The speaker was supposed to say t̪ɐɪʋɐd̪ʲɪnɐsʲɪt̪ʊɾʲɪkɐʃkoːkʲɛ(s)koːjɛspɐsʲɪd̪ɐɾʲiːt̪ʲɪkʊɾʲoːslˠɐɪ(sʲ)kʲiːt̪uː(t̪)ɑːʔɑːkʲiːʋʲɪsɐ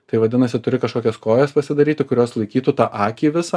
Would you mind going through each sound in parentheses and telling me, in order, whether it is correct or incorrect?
correct, incorrect: none, correct

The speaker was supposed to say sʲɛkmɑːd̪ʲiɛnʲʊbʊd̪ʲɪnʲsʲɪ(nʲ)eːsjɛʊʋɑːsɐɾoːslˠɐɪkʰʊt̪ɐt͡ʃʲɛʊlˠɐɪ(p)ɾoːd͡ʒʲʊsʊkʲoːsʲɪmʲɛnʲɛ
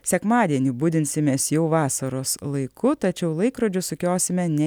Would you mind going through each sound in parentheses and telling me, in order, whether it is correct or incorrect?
incorrect: mʲ, incorrect: k

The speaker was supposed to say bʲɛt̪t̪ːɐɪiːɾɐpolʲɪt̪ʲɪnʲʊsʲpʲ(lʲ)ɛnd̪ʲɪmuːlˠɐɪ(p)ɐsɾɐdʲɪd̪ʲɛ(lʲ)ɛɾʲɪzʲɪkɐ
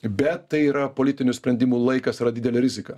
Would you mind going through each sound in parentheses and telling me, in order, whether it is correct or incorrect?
incorrect: ɾʲ, incorrect: k, correct

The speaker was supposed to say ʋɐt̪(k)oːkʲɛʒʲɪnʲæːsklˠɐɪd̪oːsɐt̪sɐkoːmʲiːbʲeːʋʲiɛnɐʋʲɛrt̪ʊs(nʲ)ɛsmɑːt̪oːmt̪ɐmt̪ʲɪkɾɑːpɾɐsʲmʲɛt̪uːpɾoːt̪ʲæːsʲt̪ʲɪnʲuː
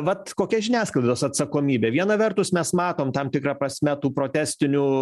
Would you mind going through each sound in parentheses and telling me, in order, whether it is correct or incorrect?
correct, incorrect: mʲ

